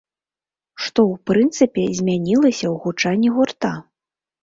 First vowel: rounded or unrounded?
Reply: rounded